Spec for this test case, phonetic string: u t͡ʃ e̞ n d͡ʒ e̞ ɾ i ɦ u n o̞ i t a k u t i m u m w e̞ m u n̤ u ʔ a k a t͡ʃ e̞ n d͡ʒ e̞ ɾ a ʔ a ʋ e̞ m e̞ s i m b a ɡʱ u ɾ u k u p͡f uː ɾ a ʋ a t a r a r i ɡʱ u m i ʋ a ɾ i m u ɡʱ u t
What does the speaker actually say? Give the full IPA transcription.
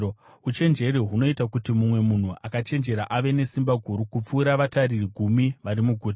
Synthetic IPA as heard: u t͡ʃ e̞ n d͡ʒ e̞ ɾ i ɦ u n o̞ i t a k u t i m u m w e̞ m u n̤ u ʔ a k a t͡ʃ e̞ n d͡ʒ e̞ ɾ a ʔ a ʋ e̞ n e̞ s i m b a ɡʱ u ɾ u k u p͡f uː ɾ a ʋ a t a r i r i ɡʱ u m i ʋ a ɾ i m u ɡʱ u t